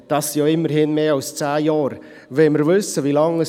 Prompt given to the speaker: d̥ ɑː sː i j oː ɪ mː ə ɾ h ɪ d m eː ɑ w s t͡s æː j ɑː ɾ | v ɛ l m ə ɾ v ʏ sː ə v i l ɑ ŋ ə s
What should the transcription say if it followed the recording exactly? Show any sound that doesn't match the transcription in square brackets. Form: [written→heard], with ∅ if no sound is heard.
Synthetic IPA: d̥ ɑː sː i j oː ɪ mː ə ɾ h ɪ [d→n] m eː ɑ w s t͡s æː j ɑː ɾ | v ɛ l m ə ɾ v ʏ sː ə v i l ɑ ŋ ə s